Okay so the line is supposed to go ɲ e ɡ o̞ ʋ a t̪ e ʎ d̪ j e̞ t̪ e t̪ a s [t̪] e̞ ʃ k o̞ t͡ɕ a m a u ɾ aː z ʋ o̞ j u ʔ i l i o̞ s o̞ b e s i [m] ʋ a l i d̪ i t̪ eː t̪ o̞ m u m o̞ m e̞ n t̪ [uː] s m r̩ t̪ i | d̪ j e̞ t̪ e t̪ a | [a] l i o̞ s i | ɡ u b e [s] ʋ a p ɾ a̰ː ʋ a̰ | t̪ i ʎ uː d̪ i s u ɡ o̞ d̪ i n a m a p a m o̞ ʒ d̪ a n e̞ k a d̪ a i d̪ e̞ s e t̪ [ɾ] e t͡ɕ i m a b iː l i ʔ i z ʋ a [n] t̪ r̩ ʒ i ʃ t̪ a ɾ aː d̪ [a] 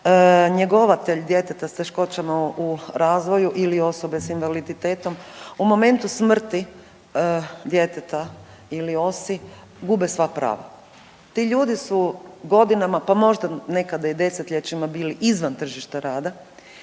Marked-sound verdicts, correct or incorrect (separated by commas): correct, incorrect, incorrect, incorrect, correct, incorrect, correct, correct